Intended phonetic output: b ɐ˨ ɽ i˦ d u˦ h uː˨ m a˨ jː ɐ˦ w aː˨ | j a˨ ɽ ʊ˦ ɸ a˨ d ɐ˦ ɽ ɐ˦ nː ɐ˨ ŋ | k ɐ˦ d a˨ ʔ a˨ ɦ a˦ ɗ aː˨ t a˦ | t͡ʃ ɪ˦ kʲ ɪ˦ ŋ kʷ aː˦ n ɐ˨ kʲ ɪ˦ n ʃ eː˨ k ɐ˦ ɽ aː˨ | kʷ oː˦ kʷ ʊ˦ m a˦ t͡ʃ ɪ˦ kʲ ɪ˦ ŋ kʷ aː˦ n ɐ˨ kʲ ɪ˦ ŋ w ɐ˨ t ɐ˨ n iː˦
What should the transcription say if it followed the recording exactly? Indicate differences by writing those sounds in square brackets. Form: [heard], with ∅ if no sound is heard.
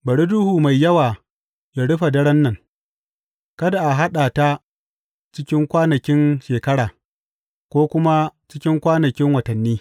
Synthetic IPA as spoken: b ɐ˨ ɽ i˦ d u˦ h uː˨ m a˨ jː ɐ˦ w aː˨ | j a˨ ɽ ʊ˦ ɸ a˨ d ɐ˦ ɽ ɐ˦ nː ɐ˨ ŋ | k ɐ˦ d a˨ ʔ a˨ ɦ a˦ ɗ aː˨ t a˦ | t͡ʃ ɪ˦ kʲ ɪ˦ ŋ kʷ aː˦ n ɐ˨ kʲ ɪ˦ n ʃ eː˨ k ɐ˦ ɽ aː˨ | kʷ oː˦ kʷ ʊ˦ m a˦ t͡ʃ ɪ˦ kʲ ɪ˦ ŋ kʷ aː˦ n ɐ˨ kʲ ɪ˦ ŋ w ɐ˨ t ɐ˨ [nː] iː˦